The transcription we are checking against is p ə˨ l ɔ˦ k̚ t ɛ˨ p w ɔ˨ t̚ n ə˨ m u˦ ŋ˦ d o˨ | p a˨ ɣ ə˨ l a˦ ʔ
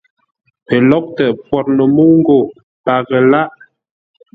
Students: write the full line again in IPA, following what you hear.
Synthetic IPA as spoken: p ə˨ l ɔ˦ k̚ t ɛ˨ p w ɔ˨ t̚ n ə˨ m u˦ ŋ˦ ɡ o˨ | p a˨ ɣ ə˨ l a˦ ʔ